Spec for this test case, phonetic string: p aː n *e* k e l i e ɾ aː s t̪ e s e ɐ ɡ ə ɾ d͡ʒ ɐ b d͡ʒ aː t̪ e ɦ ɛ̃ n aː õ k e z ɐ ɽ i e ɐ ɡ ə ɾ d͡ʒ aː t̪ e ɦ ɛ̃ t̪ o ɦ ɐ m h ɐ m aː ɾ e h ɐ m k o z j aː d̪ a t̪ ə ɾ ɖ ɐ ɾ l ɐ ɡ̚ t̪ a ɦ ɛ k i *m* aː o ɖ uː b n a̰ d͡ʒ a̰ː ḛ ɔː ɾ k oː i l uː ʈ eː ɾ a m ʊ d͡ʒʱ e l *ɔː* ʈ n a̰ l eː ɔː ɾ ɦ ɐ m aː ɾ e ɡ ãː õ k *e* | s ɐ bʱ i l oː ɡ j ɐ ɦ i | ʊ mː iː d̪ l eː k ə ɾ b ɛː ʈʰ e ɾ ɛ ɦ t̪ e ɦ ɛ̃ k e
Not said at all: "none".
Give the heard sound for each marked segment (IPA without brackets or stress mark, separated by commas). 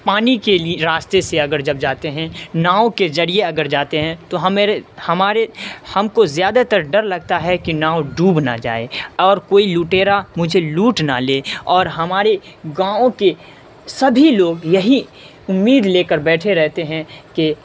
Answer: i, n, uː, e